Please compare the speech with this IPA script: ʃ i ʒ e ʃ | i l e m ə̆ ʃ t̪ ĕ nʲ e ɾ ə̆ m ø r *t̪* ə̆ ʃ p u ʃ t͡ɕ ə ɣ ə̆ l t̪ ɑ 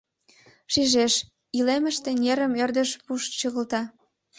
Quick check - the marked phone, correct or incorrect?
incorrect: d̪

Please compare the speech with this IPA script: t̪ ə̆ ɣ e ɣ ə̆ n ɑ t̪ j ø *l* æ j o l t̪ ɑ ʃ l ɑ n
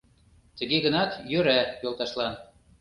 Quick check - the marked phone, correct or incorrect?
incorrect: ɾ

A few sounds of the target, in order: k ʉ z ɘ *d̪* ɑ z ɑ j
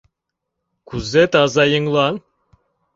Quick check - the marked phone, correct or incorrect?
incorrect: t̪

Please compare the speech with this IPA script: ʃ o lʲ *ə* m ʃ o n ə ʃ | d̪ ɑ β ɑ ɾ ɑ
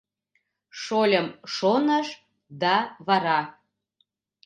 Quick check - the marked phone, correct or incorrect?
correct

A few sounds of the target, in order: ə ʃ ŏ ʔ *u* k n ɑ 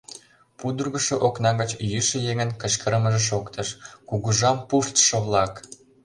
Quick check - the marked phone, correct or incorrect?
incorrect: o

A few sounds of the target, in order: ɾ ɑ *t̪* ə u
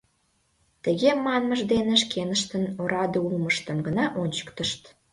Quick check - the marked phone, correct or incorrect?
incorrect: d̪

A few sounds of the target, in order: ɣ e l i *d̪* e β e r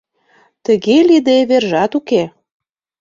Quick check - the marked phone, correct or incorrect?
correct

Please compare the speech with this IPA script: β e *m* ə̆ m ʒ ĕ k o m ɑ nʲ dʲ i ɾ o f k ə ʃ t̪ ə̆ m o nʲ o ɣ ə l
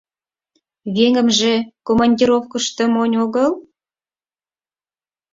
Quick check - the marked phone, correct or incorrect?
incorrect: ŋ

